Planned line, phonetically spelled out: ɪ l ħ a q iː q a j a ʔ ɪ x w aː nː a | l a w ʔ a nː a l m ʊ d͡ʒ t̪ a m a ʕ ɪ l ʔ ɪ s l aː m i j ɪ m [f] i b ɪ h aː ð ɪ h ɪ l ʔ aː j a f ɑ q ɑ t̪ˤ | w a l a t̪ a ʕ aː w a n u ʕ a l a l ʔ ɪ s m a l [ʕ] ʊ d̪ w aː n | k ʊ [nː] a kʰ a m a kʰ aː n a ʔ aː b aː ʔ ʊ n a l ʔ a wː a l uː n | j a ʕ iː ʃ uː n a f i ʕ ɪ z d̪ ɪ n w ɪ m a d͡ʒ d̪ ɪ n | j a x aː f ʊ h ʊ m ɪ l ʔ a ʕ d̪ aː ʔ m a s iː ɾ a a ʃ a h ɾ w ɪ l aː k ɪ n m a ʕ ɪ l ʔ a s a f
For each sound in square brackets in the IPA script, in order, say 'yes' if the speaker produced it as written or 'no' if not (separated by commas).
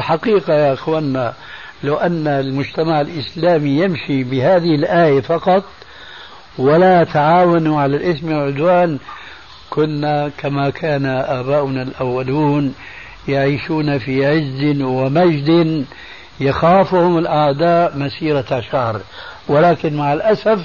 no, yes, yes